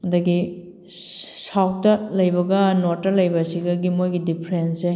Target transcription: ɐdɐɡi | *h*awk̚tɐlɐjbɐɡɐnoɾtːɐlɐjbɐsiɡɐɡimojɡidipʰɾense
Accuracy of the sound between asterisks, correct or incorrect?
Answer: incorrect